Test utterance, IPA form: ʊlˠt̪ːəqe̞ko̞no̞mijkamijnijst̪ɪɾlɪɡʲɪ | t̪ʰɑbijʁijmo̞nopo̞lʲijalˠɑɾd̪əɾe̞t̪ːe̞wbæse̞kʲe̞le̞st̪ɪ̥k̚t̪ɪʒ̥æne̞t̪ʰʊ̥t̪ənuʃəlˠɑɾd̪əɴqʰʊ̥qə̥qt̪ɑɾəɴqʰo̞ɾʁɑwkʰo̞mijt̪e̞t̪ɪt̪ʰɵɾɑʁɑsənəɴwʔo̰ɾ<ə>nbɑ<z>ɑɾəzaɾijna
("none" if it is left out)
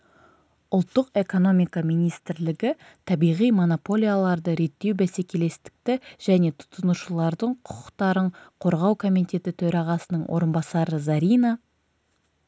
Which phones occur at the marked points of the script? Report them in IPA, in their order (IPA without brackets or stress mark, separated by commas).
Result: ə, s